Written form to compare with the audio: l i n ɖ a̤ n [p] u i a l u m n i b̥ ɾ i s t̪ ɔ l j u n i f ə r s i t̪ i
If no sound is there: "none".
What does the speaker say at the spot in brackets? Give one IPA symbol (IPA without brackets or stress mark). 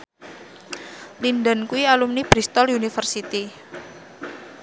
k